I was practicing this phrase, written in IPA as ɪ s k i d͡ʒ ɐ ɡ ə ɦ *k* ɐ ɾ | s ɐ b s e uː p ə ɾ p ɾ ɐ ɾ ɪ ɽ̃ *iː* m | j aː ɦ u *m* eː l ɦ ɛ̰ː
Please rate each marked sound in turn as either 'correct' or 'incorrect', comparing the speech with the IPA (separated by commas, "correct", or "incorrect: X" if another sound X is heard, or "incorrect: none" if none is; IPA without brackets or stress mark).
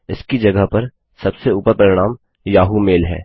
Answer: incorrect: p, incorrect: aː, correct